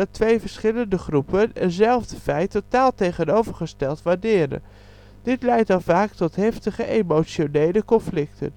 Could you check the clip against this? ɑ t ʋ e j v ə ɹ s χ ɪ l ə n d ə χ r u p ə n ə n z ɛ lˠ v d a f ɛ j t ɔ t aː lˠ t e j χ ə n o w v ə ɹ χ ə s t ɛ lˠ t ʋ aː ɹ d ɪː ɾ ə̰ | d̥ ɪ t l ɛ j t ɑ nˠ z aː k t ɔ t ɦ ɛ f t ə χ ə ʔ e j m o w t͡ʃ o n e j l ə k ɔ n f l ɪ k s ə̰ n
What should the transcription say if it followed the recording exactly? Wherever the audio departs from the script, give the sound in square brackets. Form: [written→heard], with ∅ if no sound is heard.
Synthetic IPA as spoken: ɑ t ʋ e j v ə ɹ s χ ɪ l ə n d ə χ r u p ə n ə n z ɛ lˠ v d [a→ə] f ɛ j t [ɔ→o] t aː lˠ t e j χ ə n o w v ə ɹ χ ə s t ɛ lˠ t ʋ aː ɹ d ɪː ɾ ə̰ | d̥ ɪ t l ɛ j t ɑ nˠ [z→v] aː k t ɔ t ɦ ɛ f t ə χ ə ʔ e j m o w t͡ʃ o n e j l ə k ɔ n f l ɪ k [s→t] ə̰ n